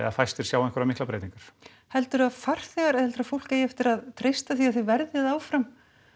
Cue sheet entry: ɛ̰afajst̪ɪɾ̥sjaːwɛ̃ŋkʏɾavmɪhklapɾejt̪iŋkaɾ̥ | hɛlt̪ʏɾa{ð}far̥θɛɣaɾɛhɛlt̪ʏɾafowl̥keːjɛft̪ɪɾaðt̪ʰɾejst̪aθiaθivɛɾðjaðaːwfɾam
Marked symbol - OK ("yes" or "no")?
yes